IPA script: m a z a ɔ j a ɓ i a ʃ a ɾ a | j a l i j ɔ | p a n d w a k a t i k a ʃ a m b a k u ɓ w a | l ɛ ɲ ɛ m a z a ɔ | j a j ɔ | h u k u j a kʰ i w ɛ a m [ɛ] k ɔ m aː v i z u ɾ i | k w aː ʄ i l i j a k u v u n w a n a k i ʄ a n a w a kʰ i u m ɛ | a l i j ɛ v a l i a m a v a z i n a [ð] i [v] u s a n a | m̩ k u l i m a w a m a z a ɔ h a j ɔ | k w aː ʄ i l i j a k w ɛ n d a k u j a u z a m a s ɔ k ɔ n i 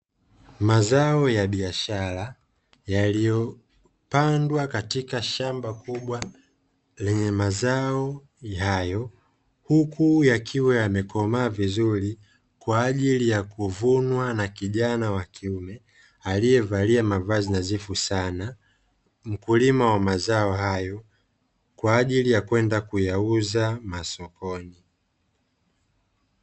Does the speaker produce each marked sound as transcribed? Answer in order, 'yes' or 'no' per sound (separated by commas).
yes, no, no